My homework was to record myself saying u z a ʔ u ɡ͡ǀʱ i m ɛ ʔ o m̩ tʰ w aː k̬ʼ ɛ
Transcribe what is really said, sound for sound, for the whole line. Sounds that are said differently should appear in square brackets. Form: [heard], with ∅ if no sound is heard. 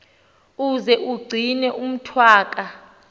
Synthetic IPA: u z [ɛ] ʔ u ɡ͡ǀʱ i [n] ɛ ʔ [u] m̩ tʰ w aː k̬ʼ [a]

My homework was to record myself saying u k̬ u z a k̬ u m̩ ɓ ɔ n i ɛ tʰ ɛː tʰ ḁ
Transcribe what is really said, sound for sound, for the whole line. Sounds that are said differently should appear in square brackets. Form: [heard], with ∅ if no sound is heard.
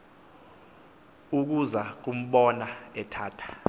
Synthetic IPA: u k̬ u z a k̬ u m̩ ɓ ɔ n [a] ɛ tʰ [aː] tʰ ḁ

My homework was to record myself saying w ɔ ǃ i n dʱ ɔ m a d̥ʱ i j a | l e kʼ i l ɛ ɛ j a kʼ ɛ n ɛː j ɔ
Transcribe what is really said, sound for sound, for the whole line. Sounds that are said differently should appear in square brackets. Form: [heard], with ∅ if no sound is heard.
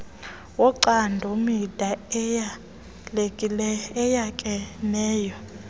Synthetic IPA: w ɔ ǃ [a] n dʱ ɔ m [i] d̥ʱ [a] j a | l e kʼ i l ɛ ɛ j a kʼ ɛ n ɛː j ɔ

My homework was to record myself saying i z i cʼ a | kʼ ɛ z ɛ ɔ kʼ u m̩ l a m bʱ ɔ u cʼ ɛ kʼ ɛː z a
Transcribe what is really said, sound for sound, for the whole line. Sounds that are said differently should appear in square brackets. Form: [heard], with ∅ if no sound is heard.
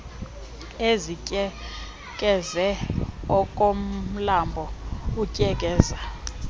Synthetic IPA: [e] z i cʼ [ɛ] | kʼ ɛ z ɛ ɔ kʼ [o] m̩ l a m bʱ ɔ u cʼ ɛ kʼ ɛː z a

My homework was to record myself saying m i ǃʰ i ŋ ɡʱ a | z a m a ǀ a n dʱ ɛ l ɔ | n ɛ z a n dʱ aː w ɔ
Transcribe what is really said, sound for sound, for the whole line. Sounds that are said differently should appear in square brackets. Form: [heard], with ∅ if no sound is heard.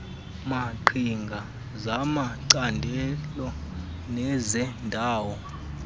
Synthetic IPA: m [a] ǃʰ i ŋ ɡʱ a | z a m a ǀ a n dʱ ɛ l ɔ | n ɛ z [ɛ] n dʱ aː w ɔ

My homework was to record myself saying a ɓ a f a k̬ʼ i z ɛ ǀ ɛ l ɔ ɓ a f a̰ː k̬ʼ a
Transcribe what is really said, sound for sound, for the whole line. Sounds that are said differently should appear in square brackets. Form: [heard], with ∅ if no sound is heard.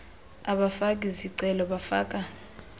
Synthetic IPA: a ɓ a f a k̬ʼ i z [i] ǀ ɛ l ɔ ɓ a f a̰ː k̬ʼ a

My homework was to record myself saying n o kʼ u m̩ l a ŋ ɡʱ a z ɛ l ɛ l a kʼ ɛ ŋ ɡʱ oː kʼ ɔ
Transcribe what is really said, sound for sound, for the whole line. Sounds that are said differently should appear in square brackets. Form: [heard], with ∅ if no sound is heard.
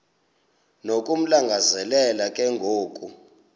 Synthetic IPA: n o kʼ u m̩ l a ŋ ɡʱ a z ɛ l ɛ l a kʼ ɛ ŋ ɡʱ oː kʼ [u]

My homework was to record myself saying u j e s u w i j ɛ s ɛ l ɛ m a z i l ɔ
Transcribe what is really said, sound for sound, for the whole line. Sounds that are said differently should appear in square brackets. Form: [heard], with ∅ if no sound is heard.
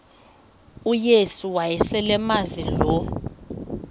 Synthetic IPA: u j e s u w [a] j ɛ s ɛ l ɛ m a z i l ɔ

